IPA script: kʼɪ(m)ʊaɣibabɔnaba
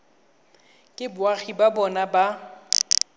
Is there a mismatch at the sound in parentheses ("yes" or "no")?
yes